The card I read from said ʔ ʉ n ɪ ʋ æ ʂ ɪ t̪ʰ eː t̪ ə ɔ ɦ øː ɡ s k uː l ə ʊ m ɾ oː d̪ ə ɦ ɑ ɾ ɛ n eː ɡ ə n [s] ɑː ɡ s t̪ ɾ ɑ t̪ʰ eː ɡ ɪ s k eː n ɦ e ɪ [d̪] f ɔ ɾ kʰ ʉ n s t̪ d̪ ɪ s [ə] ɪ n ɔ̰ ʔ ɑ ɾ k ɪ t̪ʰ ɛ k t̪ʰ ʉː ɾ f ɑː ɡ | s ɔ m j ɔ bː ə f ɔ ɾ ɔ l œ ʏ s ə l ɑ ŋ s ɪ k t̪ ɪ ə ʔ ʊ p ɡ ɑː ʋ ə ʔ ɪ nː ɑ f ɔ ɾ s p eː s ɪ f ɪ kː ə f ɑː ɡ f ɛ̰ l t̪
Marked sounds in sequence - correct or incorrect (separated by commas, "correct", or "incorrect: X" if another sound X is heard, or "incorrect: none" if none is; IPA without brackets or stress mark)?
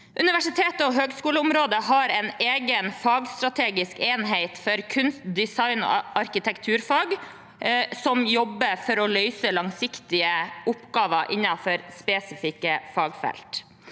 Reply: incorrect: f, incorrect: t̪, incorrect: ɑ